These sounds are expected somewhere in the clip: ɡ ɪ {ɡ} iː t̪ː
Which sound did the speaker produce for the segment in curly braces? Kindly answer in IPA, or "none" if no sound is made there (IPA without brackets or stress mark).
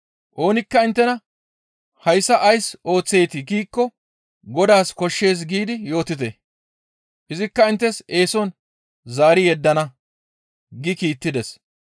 k